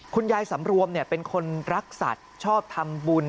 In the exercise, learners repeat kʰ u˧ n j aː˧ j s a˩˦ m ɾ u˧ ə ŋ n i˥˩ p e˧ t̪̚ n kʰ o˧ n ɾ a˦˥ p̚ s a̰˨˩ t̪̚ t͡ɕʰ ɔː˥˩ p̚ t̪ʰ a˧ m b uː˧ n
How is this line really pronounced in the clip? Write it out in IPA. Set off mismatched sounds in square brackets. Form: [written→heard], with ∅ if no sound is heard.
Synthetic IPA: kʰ u˧ n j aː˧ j s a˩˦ m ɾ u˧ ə [ŋ→m] n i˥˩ p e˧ [t̪̚→∅] n kʰ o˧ n ɾ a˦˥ [p̚→k̚] s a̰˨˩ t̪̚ t͡ɕʰ ɔː˥˩ p̚ t̪ʰ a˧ m b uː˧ n